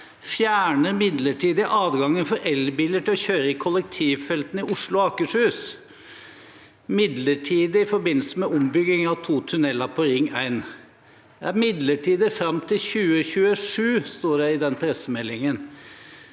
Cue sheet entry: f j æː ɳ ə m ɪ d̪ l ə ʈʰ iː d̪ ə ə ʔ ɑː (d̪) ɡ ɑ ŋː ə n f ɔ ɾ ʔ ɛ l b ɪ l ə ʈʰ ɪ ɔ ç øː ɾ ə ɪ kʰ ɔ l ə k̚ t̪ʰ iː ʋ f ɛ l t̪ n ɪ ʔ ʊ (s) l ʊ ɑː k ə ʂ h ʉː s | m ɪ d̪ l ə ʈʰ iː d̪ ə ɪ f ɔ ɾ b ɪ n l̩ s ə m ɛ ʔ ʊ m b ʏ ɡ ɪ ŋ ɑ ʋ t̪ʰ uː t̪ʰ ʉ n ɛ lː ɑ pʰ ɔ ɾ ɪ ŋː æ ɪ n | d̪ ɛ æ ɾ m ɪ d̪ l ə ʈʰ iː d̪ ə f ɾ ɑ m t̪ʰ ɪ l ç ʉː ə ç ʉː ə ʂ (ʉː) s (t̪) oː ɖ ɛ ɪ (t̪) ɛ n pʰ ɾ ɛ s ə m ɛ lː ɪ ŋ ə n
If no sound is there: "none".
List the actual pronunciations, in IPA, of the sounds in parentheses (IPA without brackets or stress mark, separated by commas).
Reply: d̪, ʂ, ʉː, t̪, d̪